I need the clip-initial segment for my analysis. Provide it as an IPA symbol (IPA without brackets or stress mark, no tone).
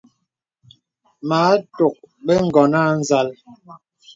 m